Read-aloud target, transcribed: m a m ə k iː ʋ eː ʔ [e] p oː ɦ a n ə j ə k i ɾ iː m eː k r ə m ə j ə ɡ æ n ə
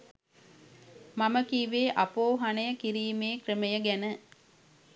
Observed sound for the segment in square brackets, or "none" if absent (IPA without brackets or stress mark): a